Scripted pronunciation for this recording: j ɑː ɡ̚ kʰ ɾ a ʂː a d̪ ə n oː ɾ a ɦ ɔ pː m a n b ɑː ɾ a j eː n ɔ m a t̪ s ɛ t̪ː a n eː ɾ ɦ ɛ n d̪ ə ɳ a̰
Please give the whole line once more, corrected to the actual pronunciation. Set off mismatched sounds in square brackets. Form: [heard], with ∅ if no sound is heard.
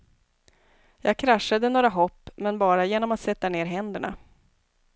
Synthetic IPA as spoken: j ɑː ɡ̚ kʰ ɾ a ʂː a d̪ ə n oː ɾ a ɦ ɔ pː m [ɛ] n b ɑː ɾ a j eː n ɔ m a t̪ s ɛ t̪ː a n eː ɾ ɦ ɛ n d̪ ə ɳ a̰